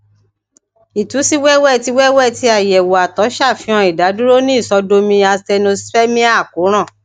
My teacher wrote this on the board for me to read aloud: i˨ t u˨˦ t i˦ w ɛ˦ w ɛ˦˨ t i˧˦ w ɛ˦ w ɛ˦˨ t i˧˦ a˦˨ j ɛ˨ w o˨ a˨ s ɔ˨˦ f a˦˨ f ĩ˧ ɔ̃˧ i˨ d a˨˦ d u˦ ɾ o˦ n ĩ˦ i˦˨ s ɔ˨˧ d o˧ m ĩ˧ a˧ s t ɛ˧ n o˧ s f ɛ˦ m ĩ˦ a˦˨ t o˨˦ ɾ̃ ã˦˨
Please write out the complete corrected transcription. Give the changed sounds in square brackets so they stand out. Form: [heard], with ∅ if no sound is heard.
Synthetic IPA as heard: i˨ t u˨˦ [s] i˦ w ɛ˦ w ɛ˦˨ t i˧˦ w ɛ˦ w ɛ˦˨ t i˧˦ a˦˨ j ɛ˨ w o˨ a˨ [t] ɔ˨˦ [ʃ] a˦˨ f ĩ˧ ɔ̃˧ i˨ d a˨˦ d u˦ ɾ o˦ n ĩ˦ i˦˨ s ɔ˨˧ d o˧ m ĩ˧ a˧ s t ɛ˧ n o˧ s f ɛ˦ m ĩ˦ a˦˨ [k] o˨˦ ɾ̃ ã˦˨